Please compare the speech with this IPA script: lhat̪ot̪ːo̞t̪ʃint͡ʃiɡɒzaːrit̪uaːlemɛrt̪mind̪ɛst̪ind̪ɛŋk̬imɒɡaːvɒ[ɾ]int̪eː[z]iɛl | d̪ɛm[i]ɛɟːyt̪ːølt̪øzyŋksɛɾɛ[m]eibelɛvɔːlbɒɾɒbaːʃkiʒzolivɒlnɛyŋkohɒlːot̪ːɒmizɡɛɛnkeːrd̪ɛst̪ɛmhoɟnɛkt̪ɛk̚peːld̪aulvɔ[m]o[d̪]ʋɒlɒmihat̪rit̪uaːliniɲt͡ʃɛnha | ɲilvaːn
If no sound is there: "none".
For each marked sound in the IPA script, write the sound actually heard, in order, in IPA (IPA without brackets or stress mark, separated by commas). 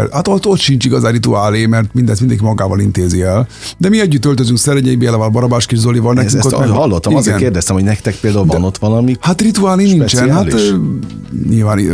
l, z, i, ɲ, n, t̪